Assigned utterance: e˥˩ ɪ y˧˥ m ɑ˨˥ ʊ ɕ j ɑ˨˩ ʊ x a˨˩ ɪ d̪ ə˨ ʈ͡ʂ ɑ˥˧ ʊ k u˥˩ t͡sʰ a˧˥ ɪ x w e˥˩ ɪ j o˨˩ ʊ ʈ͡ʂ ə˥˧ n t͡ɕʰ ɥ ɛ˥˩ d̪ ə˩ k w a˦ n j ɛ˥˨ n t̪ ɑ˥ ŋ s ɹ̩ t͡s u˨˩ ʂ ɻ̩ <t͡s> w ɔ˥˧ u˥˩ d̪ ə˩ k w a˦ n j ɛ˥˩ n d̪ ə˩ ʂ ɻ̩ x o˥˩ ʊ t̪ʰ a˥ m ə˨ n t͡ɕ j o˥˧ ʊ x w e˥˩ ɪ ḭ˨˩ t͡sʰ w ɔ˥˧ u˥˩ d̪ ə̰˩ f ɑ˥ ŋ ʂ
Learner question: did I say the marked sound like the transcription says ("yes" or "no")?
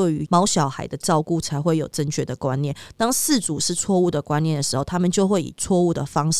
no